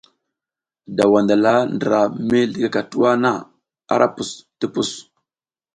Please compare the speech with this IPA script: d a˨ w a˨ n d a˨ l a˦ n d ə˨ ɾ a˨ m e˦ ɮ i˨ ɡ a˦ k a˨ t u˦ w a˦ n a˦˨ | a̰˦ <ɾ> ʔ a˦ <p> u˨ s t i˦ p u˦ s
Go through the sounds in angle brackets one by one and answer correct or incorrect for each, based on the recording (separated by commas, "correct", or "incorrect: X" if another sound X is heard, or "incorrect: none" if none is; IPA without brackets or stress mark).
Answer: correct, correct